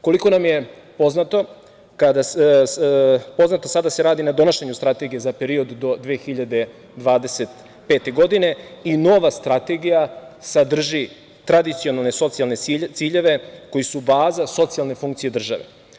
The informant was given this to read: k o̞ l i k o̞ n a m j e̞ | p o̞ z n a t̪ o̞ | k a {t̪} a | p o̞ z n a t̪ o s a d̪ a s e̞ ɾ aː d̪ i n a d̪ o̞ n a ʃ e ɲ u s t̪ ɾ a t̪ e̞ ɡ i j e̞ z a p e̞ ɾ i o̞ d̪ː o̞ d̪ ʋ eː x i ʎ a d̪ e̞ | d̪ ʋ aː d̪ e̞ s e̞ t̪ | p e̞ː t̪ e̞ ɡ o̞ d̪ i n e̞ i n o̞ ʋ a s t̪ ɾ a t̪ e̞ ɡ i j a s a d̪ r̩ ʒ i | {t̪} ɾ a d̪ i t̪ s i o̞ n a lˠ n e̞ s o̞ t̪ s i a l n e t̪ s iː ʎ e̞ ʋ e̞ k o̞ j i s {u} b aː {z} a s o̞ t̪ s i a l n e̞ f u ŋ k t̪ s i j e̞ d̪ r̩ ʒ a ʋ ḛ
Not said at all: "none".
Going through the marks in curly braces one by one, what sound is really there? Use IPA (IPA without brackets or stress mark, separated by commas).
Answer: d̪, t̪, u, z